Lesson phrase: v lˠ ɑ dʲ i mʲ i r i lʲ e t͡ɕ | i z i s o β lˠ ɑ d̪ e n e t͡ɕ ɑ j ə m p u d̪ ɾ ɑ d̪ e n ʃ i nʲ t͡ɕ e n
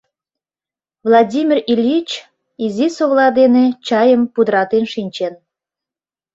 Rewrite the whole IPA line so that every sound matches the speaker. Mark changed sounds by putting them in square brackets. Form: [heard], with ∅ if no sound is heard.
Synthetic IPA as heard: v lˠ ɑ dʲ i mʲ i r i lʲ [i] t͡ɕ | i z i s o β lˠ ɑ d̪ e n e t͡ɕ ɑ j ə m p u d̪ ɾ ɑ [t̪] e n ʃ i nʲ t͡ɕ e n

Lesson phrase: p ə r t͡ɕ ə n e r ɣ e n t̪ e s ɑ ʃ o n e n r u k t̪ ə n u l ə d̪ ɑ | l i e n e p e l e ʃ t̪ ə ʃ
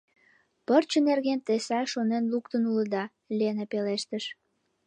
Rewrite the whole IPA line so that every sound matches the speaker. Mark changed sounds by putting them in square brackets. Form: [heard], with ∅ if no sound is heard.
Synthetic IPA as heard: p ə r t͡ɕ ə n e r ɣ e n t̪ e s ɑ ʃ o n e n [l] u k t̪ ə n u l ə d̪ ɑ | l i e n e p e l e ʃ t̪ ə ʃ

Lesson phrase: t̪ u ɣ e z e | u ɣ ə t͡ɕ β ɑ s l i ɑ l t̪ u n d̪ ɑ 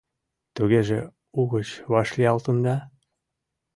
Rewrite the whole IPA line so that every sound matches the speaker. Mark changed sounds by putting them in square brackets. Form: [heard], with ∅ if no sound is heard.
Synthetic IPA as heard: t̪ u ɣ e [ʒ] e | u ɣ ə t͡ɕ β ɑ [ʃ] l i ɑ l t̪ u n d̪ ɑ

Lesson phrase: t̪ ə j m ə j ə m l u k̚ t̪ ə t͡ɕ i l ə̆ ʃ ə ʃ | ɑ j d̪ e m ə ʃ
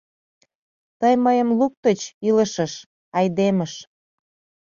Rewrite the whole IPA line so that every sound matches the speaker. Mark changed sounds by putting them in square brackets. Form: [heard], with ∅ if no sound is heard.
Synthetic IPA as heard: t̪ ə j m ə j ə m l u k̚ t̪ ə t͡ɕ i l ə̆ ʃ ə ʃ | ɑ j d̪ e m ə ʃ

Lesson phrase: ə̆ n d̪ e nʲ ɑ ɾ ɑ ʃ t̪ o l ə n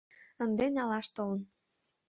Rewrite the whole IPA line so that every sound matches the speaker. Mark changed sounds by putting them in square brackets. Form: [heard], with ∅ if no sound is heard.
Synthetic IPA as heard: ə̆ n d̪ e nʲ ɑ [l] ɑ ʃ t̪ o l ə n

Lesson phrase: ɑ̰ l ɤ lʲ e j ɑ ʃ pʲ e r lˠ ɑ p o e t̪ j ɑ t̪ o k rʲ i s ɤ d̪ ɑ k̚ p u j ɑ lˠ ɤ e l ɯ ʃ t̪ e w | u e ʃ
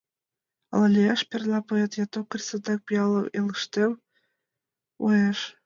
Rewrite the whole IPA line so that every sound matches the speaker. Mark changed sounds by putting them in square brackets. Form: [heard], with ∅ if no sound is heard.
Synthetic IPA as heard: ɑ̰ l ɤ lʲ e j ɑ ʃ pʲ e r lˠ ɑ p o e t̪ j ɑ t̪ o k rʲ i s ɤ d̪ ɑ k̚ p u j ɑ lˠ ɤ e l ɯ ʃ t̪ e w | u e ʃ

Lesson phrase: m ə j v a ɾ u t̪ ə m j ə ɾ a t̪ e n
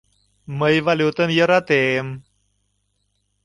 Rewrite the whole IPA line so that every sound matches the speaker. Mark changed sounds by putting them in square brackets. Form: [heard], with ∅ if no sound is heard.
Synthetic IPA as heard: m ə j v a [l] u t̪ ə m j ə ɾ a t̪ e [m]

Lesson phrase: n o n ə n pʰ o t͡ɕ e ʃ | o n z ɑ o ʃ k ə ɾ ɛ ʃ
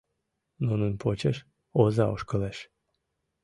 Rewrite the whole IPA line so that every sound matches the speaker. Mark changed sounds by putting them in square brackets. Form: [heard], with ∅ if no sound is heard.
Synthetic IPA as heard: n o n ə n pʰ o t͡ɕ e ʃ | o [∅] z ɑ o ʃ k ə [l] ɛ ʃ

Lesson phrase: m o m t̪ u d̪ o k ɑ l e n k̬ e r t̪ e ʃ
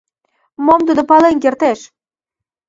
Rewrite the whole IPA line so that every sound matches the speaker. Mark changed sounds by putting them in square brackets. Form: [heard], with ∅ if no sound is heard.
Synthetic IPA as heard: m o m t̪ u d̪ o [p] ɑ l e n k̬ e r t̪ e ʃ

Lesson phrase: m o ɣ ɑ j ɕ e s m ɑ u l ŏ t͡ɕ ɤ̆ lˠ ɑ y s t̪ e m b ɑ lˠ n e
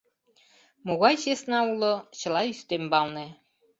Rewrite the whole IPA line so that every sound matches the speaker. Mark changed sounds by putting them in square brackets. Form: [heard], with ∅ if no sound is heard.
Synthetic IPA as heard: m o ɣ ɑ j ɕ e s [n] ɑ u l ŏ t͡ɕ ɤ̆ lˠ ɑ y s t̪ e m b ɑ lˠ n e

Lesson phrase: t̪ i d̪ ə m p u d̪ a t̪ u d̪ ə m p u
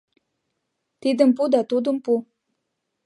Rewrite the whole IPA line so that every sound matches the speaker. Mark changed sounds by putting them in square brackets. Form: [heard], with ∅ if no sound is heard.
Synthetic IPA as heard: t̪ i d̪ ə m p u d̪ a t̪ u d̪ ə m p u

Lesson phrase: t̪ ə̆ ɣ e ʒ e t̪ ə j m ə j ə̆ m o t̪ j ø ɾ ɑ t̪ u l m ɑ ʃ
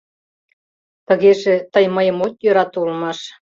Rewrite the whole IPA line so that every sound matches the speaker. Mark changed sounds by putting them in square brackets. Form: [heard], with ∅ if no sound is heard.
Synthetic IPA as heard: t̪ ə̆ ɣ e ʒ e t̪ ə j m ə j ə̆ m o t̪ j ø ɾ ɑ t̪ u l m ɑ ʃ

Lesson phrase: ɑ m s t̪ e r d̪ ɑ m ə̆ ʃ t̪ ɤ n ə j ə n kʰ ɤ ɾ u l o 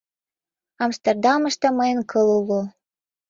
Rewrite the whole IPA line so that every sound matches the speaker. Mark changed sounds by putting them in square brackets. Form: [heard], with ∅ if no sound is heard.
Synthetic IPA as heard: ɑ m s t̪ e r d̪ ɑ m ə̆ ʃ t̪ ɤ [m] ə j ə n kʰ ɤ [l] u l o

